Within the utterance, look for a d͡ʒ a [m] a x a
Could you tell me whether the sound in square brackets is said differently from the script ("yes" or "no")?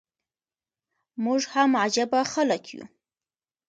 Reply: yes